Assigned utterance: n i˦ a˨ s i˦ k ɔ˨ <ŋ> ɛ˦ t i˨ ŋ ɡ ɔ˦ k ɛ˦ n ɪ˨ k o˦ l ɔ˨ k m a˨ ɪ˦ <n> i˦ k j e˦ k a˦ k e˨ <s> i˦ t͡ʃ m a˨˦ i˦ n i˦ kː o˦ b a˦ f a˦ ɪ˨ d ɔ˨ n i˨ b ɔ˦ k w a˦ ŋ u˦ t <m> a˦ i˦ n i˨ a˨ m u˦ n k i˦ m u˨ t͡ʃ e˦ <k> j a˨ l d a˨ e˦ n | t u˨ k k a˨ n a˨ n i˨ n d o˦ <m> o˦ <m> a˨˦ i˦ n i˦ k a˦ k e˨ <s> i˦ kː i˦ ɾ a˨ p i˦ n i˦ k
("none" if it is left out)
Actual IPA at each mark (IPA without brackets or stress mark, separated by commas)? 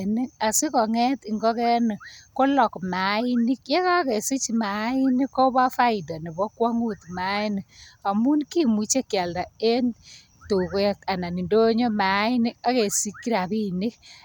ŋ, n, s, m, k, ɲ, m, s